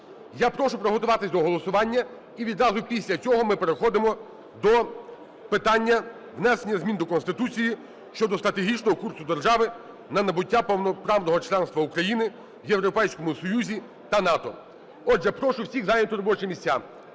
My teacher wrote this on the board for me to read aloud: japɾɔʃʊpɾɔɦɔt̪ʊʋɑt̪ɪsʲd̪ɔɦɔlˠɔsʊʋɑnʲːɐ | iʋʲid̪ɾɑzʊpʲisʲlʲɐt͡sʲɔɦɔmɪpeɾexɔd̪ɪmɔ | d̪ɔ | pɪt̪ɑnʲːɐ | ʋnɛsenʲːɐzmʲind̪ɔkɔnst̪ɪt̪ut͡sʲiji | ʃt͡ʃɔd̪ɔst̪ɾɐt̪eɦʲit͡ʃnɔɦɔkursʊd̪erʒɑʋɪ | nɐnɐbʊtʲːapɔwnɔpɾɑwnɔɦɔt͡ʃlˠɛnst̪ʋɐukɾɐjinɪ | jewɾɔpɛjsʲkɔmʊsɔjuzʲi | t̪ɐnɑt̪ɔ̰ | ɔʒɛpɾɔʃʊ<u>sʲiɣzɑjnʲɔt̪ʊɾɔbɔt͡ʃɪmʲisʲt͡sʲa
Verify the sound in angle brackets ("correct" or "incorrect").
incorrect